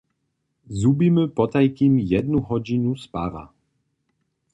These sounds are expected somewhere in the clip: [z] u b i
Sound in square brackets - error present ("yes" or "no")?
no